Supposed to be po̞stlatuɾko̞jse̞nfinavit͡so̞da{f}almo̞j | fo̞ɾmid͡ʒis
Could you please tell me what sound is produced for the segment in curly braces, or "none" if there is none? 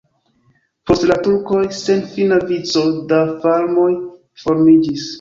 f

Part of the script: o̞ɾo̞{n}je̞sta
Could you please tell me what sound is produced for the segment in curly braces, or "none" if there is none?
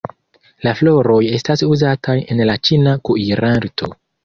none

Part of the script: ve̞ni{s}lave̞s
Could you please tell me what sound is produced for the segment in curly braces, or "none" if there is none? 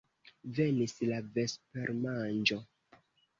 s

